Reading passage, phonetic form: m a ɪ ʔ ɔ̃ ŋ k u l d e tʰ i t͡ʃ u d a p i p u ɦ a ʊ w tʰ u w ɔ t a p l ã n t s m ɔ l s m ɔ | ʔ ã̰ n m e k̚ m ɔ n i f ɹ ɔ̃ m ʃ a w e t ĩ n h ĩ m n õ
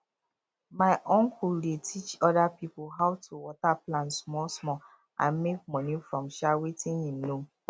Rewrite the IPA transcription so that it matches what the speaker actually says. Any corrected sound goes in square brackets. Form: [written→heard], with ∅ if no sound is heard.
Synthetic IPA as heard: m a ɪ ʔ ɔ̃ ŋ k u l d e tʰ i t͡ʃ [u→ɔ] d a p i p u ɦ a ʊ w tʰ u w ɔ t a p l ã n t s m ɔ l s m ɔ | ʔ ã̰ n m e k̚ m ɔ n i f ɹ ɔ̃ m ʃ a w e t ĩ n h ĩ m n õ